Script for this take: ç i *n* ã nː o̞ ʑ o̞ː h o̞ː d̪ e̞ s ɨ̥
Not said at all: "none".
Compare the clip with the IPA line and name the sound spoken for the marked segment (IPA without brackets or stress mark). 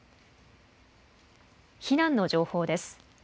n